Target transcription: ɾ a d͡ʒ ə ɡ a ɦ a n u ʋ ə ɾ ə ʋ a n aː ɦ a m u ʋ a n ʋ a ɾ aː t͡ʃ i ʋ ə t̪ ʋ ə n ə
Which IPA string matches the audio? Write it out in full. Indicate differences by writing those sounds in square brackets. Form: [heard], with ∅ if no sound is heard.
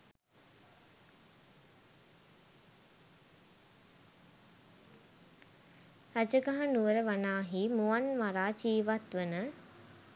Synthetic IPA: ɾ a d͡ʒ ə ɡ a ɦ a n u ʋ ə ɾ ə ʋ a n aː ɦ [i] m u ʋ a n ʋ a ɾ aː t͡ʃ [iː] ʋ [a] t̪ ʋ ə n ə